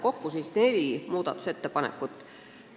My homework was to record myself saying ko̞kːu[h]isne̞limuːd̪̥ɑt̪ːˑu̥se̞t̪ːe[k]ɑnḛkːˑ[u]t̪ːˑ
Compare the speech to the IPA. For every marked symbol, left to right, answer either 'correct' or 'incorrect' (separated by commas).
incorrect, incorrect, correct